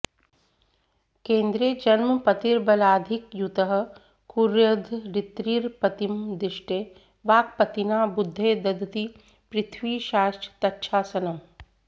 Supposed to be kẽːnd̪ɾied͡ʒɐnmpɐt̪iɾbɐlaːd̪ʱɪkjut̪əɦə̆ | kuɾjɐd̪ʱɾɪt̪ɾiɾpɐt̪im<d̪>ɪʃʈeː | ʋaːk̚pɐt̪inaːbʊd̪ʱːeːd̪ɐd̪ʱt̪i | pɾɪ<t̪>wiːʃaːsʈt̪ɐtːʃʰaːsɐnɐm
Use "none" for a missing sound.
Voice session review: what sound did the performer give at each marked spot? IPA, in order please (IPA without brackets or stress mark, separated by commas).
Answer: d̪, t̪ʰ